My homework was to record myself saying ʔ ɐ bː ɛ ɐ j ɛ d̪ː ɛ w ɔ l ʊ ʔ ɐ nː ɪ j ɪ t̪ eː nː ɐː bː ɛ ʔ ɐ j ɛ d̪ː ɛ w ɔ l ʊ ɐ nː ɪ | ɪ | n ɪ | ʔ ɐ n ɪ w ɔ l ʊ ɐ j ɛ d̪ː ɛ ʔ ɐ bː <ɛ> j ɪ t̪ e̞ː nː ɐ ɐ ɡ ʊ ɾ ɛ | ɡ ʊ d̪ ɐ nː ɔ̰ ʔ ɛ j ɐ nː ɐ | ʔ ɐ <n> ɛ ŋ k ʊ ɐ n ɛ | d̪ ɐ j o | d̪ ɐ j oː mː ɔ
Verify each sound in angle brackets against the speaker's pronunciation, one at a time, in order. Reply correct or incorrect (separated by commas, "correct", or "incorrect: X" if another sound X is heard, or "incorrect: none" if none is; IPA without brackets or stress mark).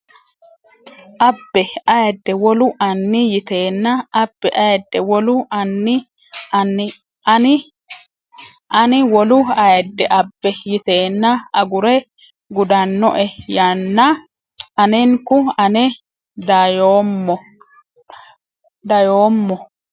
correct, correct